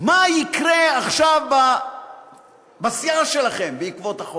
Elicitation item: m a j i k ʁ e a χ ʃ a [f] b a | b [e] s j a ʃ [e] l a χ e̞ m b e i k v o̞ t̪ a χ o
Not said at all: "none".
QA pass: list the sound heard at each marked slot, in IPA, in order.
v, a, e

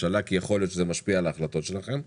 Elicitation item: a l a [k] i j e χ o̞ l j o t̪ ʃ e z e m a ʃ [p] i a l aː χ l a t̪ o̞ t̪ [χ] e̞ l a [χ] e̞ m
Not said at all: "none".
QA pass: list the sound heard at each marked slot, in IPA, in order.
k, p, ʃ, χ

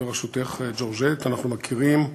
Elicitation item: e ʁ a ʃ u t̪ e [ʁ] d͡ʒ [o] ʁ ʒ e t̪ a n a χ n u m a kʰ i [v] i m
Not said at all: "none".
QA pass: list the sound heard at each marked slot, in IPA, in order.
χ, o, ʁ

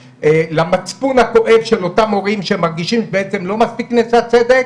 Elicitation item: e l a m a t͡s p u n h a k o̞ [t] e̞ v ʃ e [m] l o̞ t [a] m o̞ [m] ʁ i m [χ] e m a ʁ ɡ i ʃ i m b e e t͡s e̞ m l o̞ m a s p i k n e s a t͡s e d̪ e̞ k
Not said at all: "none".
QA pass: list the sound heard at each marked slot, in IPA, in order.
ʔ, none, a, none, ʃ

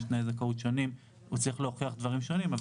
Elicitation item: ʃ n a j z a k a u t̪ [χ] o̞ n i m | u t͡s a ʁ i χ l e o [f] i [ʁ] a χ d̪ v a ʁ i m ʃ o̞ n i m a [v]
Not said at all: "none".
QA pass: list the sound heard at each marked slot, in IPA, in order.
ʃ, χ, none, v

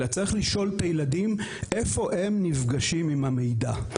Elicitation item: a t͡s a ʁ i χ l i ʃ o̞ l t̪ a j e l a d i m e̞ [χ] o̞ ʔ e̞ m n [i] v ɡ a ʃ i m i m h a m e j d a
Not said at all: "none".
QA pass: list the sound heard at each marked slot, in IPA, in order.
f, i

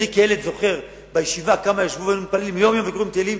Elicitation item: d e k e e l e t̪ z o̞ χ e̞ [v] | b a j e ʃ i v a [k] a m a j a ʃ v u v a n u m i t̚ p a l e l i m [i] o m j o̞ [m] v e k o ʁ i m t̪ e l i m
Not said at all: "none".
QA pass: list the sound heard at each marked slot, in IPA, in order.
ʁ, k, j, m

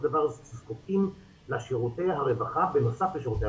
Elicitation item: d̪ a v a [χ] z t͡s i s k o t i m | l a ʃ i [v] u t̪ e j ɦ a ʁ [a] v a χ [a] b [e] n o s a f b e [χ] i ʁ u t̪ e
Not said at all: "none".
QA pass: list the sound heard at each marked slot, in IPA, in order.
ʁ, ʁ, e, a, e, ʃ

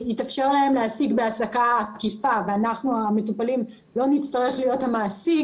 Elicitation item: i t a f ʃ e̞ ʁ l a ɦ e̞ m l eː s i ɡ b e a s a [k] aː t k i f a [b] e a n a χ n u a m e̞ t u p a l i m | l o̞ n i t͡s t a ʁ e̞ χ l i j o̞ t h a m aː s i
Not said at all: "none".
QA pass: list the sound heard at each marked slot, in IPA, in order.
k, v

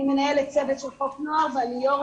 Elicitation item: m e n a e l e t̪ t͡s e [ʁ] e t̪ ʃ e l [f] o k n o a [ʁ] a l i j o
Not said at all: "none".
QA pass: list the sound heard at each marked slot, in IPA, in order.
v, ħ, v

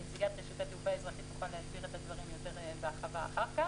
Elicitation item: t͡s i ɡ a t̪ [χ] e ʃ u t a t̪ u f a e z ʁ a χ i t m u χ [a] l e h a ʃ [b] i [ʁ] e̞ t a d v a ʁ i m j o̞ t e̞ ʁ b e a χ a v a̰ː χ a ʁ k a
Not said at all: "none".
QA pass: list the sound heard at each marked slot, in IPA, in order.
ʁ, a, b, ʁ

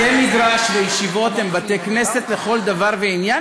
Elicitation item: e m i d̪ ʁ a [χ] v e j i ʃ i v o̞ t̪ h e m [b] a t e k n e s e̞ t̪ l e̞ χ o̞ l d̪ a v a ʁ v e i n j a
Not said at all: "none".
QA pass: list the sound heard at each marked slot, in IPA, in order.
ʃ, b

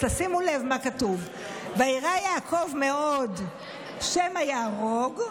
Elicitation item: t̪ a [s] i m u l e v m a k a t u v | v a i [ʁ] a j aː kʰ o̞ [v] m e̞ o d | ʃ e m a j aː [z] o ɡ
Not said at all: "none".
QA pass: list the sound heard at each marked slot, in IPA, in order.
s, ʁ, v, ʁ

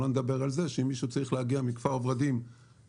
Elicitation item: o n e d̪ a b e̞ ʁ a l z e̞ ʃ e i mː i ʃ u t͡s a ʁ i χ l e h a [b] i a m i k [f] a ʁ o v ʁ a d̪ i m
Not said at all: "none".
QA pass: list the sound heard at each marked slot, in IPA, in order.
ɡ, f

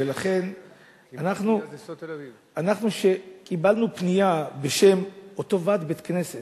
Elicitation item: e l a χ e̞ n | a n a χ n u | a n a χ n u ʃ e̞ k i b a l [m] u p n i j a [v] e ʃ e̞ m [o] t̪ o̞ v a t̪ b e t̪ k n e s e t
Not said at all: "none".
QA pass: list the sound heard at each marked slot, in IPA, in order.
n, b, o

